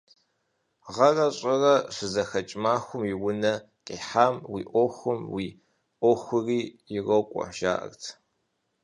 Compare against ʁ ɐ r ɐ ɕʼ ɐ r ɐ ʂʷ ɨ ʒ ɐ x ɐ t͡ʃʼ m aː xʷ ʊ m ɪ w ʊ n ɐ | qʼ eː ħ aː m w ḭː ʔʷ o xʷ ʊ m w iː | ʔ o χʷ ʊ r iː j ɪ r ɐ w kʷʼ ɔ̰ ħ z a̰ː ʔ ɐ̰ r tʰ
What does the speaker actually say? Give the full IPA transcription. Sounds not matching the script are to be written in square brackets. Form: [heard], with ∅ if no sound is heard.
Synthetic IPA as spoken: ʁ ɐ r ɐ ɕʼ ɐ r ɐ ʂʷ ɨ [z] ɐ x ɐ t͡ʃʼ m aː xʷ ʊ m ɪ w ʊ n ɐ | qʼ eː ħ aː m w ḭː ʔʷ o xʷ ʊ m w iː | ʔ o [xʷ] ʊ r iː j ɪ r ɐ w kʷʼ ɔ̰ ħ [ʒ] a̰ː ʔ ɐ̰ r tʰ